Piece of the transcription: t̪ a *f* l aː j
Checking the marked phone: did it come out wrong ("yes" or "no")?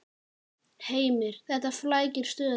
no